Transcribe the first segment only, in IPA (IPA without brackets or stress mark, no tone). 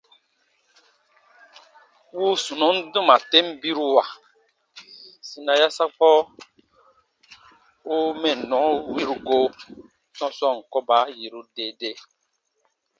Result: w